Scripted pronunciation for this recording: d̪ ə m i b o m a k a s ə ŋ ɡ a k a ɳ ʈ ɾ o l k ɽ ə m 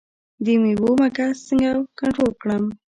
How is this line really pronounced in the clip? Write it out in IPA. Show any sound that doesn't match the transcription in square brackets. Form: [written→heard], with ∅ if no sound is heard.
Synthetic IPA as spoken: d̪ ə m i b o m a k a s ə ŋ ɡ a k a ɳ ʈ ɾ o l k ɽ ə m